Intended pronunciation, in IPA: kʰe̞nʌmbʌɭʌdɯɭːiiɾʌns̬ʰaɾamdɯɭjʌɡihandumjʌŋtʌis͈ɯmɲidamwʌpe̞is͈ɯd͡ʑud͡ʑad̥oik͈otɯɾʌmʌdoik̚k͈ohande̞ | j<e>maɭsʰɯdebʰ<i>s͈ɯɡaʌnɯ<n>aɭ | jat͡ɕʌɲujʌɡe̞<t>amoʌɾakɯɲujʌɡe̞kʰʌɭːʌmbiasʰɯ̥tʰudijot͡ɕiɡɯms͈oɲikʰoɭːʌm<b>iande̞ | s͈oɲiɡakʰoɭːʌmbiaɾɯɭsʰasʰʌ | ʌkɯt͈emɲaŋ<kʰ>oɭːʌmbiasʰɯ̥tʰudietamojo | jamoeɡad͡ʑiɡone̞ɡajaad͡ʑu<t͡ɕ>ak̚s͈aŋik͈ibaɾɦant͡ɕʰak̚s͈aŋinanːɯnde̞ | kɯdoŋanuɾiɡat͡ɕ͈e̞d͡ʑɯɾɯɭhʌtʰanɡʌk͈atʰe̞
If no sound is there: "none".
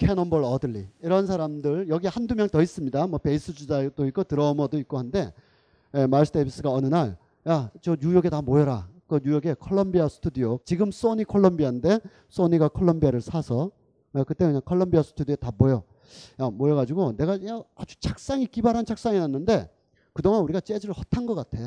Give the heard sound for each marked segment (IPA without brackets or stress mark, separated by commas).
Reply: e, i, n, t, b, kʰ, t͡ɕʰ